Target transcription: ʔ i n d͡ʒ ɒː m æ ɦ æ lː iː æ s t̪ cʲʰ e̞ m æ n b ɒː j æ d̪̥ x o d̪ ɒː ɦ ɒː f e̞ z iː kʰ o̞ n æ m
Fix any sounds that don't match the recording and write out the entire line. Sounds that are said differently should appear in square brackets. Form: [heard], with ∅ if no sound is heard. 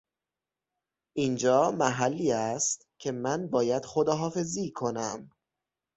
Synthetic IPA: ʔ i n d͡ʒ ɒː m æ ɦ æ lː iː æ s t̪ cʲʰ e̞ m æ n b ɒː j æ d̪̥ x o d̪ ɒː ɦ ɒː f e̞ z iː kʰ o̞ n æ m